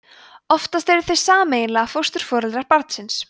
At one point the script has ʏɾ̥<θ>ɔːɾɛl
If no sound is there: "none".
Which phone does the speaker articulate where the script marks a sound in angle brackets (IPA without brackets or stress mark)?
f